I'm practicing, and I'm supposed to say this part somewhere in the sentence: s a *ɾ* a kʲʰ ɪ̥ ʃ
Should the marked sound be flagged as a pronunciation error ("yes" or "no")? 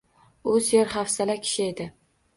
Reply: yes